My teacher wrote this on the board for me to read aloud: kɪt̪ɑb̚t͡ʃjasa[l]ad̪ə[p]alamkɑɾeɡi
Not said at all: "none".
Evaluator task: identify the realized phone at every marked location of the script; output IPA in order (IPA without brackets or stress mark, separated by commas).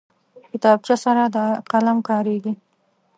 ɾ, q